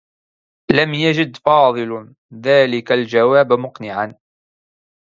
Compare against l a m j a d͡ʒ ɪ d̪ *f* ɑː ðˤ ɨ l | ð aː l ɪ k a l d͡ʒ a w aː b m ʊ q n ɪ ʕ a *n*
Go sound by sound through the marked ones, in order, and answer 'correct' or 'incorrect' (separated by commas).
correct, correct